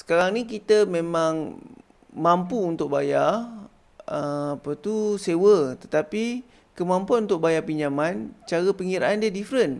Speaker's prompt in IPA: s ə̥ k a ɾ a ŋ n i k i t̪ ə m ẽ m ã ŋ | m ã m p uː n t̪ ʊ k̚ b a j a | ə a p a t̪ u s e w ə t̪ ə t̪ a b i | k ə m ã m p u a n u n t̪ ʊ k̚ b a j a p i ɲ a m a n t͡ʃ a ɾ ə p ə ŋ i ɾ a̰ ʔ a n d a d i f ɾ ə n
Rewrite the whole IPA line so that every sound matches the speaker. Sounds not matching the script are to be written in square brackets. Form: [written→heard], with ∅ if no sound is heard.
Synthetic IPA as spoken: s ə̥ k a ɾ a ŋ n i k i t̪ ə m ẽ m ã ŋ | m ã m p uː n t̪ ʊ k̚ b a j a | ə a p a t̪ u s e w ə t̪ ə t̪ a [b→p] i | k ə m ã m p u a n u n t̪ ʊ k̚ b a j a p i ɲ a m a n t͡ʃ a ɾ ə p ə ŋ i ɾ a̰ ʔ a n d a d i f ɾ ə n

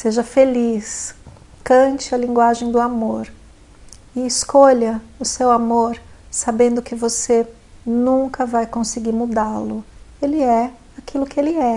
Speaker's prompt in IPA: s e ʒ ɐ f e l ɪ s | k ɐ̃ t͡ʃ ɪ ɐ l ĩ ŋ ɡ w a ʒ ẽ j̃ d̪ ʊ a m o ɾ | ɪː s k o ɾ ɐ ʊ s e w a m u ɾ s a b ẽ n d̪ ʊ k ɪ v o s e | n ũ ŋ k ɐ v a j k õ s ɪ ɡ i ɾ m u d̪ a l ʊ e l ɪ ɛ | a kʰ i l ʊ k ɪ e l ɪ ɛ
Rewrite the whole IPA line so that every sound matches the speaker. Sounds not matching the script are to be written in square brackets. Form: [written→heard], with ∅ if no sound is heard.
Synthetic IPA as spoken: s e ʒ ɐ f e l [ɪ→i] s | k ɐ̃ t͡ʃ ɪ ɐ l ĩ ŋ ɡ w a ʒ ẽ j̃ d̪ ʊ a m o ɾ | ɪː s k o [ɾ→ʎ] ɐ ʊ s e w a m [u→o] ɾ s a b ẽ n d̪ ʊ k ɪ v o s e | n ũ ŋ k ɐ v a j k õ s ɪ ɡ i ɾ m u d̪ a l ʊ e l ɪ ɛ | a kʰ i l ʊ k ɪ e l ɪ ɛ

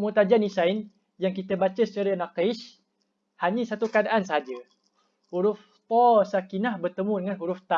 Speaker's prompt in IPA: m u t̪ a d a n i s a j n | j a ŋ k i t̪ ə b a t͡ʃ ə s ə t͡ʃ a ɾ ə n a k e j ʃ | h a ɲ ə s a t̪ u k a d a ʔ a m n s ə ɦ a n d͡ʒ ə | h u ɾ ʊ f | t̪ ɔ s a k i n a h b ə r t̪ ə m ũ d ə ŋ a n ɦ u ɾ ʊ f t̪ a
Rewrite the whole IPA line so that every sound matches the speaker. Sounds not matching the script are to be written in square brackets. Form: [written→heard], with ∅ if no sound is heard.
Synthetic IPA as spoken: m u t̪ a [d→d͡ʒ] a n i s a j n | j a ŋ k i t̪ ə b a t͡ʃ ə s ə t͡ʃ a ɾ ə n a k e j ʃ | h a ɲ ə s a t̪ u k a d a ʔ a [m→∅] n s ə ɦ a [n→∅] d͡ʒ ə | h u ɾ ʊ f | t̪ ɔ s a k i n a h b ə r t̪ ə m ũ d ə ŋ a n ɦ u ɾ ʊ f t̪ a

